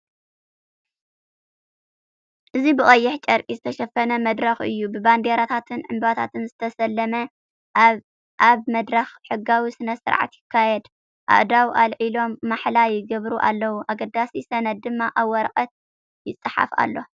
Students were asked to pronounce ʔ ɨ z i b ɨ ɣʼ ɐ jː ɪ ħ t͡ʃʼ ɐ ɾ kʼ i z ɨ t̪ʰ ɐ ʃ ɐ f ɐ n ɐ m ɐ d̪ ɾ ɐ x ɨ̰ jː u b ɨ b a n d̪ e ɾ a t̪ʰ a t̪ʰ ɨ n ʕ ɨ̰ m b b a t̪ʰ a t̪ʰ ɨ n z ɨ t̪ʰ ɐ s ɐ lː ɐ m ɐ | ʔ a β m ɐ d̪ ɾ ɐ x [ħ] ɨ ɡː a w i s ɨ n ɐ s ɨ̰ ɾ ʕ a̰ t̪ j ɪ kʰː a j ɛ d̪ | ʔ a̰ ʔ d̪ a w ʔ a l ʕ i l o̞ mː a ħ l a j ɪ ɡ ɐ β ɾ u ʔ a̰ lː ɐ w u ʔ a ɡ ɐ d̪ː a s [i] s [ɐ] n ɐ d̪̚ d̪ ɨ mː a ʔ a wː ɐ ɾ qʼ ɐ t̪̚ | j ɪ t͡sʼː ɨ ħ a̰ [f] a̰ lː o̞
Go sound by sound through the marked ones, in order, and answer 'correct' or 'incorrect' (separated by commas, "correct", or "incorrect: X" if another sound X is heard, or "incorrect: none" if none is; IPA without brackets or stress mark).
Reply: correct, correct, correct, correct